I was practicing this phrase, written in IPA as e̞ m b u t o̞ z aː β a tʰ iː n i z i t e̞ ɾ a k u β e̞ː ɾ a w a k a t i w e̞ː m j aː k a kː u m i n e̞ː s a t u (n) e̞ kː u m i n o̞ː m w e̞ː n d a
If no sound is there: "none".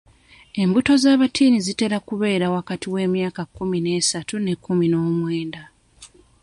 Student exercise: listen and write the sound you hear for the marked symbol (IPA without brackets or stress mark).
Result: n